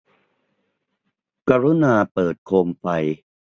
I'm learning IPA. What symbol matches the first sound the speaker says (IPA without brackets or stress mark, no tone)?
k